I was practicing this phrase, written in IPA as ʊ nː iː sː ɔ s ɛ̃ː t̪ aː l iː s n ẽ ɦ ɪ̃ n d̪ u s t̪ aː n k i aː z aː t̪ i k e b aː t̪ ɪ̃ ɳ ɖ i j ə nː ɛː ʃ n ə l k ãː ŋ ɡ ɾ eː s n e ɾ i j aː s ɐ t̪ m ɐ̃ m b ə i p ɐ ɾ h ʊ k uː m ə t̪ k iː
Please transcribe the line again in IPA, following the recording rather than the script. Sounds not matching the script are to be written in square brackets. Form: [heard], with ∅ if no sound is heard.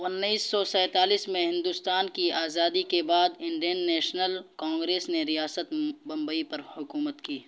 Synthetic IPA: ʊ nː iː sː ɔ s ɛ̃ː t̪ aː l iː s [m] ẽ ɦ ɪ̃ n d̪ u s t̪ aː n k i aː z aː [d̪] i k e b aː [d̪] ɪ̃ ɳ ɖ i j ə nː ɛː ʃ n ə l k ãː ŋ ɡ ɾ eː s n e ɾ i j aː s [ə] t̪ [b] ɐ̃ m b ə i p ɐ ɾ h ʊ k uː m ə t̪ k iː